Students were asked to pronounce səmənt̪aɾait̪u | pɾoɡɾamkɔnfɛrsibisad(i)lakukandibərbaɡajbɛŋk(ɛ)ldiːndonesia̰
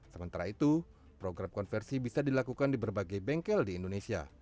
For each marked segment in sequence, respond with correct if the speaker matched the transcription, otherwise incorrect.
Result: correct, correct

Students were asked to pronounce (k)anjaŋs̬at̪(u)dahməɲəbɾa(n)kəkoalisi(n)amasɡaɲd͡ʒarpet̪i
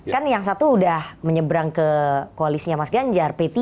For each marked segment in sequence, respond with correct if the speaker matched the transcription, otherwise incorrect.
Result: correct, incorrect, incorrect, incorrect

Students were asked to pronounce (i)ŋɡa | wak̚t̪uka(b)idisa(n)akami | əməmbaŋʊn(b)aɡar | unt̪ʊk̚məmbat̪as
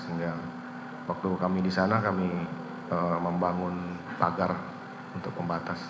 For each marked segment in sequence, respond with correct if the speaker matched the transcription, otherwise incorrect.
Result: correct, incorrect, correct, incorrect

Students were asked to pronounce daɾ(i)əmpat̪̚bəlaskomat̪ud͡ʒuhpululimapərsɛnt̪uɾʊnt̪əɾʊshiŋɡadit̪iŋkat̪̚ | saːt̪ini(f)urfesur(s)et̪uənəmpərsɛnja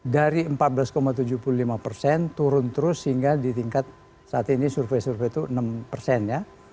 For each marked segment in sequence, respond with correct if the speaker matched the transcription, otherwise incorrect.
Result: correct, incorrect, incorrect

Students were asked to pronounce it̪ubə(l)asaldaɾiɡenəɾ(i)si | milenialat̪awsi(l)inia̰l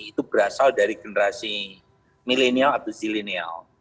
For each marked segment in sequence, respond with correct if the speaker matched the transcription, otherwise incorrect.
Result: incorrect, incorrect, correct

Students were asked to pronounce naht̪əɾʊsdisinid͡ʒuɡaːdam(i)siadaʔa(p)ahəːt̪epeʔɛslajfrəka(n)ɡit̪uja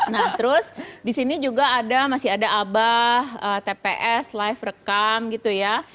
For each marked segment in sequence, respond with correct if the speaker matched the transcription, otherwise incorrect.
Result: incorrect, incorrect, incorrect

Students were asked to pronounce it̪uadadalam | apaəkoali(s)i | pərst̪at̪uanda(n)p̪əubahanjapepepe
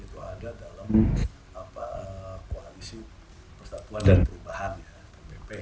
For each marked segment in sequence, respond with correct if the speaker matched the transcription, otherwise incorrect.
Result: correct, correct

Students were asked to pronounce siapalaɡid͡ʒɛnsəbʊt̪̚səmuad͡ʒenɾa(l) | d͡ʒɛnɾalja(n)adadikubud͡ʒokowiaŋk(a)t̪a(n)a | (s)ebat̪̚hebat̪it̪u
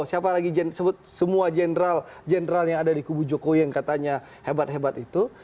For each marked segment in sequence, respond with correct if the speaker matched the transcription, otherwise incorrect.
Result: correct, incorrect, correct, incorrect, incorrect

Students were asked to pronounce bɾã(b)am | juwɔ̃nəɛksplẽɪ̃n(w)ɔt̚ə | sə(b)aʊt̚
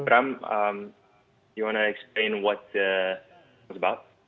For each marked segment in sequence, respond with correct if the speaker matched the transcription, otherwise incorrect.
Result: incorrect, correct, correct

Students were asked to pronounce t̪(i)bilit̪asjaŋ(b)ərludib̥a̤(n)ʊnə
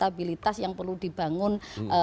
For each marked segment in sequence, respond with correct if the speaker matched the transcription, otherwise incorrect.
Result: incorrect, incorrect, incorrect

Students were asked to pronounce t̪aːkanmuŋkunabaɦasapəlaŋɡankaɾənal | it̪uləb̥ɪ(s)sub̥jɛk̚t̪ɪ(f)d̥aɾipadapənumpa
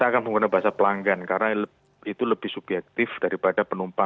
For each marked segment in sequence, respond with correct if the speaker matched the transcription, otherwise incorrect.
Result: incorrect, correct

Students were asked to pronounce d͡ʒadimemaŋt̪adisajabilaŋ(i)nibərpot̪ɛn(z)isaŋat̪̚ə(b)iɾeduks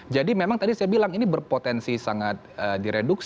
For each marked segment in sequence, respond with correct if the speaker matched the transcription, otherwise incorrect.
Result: correct, incorrect, incorrect

